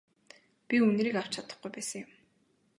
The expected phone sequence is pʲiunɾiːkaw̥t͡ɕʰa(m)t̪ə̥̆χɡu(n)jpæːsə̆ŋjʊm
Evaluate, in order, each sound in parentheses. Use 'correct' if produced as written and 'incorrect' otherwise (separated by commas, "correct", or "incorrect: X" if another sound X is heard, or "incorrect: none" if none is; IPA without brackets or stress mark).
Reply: incorrect: none, incorrect: none